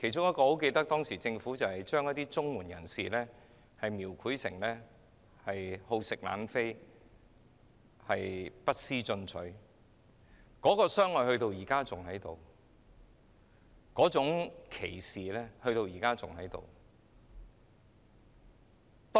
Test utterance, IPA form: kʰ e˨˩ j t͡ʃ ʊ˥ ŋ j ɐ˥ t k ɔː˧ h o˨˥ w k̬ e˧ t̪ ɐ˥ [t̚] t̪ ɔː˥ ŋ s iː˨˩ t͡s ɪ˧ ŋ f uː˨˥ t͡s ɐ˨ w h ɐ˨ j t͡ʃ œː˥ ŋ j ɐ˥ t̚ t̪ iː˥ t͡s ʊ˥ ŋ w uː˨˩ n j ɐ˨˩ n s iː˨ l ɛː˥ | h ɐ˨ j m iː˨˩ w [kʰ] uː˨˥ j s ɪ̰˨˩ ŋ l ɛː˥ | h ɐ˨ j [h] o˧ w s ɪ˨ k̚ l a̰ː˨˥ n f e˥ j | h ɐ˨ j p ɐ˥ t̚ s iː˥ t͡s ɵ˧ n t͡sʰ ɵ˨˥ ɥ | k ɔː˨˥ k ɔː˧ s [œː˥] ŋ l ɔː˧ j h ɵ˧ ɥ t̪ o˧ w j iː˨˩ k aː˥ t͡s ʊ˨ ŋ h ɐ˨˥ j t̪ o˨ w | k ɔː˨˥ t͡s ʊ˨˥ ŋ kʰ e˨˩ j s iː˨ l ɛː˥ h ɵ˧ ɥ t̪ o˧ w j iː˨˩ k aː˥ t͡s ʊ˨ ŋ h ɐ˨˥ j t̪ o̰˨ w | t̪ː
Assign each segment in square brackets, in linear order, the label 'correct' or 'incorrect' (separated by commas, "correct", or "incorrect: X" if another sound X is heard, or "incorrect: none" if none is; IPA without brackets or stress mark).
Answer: incorrect: k̚, correct, correct, correct